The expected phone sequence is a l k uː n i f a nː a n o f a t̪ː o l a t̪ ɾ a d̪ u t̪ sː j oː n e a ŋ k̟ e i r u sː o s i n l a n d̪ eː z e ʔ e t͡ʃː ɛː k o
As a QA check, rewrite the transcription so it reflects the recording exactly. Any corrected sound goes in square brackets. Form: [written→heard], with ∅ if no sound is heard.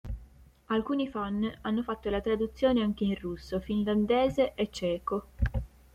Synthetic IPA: a l k uː n i f a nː a [n→nː] o f a t̪ː o l a t̪ ɾ a d̪ u t̪ sː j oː n e a ŋ k̟ e i r u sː o [s→f] i n l a n d̪ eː z e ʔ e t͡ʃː ɛː k o